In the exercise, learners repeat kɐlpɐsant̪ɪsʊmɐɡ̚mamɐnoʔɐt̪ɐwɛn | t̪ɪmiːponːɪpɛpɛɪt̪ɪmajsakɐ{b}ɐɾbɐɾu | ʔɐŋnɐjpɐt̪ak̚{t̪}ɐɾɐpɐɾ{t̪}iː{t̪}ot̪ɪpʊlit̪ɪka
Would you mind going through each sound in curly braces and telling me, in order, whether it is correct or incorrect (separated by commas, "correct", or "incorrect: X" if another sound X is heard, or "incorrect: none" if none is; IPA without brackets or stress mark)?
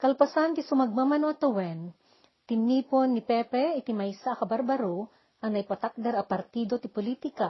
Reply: correct, incorrect: d̪, correct, incorrect: d̪